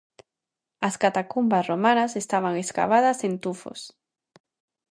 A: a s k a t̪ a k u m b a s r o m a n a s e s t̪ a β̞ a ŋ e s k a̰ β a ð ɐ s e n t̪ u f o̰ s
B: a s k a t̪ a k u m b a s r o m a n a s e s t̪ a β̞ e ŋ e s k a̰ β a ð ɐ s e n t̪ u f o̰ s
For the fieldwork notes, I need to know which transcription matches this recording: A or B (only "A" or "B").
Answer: A